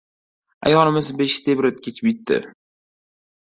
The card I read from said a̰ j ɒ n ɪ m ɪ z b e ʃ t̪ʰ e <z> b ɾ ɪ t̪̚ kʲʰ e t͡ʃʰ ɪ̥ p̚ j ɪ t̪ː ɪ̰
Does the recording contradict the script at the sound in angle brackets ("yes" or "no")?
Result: yes